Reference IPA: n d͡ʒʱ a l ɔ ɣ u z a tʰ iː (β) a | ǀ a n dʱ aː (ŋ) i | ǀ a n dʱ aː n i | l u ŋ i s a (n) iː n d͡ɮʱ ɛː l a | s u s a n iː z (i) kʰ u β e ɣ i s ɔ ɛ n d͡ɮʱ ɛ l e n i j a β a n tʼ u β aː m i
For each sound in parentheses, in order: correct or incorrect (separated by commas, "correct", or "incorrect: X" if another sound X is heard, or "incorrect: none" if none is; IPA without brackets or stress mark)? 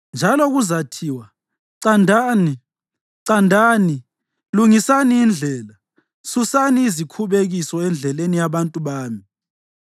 incorrect: w, incorrect: n, correct, correct